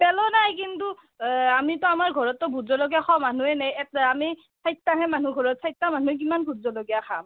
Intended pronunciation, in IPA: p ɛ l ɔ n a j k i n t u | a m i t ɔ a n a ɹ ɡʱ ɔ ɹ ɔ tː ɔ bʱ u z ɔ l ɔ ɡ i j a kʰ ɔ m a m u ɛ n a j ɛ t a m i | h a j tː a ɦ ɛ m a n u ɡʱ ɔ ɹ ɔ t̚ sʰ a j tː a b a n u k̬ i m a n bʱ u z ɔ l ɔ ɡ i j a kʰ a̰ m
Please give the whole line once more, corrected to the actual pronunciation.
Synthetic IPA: p ɛ l ɔ n a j k i n t u | a m i t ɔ a m a ɹ ɡʱ ɔ ɹ ɔ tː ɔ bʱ u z ɔ l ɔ ɡ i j a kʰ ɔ m a n u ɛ n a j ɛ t a m i | s a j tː a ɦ ɛ m a n u ɡʱ ɔ ɹ ɔ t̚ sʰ a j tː a m a n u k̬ i m a n bʱ u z ɔ l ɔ ɡ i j a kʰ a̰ m